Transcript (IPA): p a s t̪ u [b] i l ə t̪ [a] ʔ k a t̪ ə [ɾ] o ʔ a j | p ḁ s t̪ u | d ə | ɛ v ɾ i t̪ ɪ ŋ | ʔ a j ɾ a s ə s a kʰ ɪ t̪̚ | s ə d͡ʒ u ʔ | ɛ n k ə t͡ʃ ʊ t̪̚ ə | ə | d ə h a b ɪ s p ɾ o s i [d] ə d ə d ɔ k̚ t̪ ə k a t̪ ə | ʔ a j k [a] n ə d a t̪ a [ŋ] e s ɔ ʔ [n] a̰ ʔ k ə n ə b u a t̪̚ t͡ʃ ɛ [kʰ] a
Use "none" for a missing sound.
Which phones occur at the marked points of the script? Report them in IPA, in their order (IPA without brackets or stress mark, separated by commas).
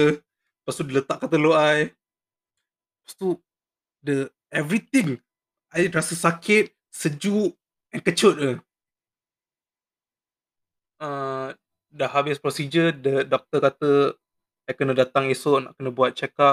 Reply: d, a, l, d͡ʒ, ə, ŋ, n, k